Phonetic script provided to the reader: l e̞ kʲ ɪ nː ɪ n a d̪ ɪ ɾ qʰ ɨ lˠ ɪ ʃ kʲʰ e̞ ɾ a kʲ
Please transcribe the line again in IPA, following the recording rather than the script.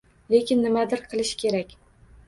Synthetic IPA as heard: l e̞ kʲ ɪ nː ɪ m a d̪ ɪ ɾ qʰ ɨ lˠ ɪ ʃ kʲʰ e̞ ɾ a kʲ